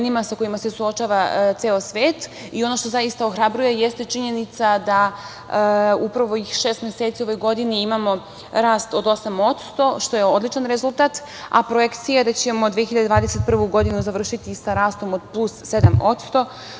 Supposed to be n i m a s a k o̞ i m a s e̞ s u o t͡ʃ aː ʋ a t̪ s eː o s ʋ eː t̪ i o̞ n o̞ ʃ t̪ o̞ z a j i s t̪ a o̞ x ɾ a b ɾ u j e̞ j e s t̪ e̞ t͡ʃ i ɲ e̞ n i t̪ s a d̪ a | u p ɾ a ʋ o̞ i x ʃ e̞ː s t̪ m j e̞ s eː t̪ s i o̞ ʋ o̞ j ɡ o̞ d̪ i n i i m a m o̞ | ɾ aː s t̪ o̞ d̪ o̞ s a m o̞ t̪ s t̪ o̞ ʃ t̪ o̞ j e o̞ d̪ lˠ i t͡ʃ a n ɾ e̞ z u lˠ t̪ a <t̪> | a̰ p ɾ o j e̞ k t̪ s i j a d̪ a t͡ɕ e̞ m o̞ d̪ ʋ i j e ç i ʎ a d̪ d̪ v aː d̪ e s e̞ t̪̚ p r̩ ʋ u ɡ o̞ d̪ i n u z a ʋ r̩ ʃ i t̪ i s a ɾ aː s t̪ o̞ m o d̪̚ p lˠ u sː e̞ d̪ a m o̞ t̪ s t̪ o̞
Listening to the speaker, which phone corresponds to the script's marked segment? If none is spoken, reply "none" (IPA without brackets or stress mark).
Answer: t̪